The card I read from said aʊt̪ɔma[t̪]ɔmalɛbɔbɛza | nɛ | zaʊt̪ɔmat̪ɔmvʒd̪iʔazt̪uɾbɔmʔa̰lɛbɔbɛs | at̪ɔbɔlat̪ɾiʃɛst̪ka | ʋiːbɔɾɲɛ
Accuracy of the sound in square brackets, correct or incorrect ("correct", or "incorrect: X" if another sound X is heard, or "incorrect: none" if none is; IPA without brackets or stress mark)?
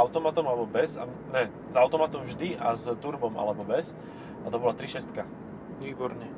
correct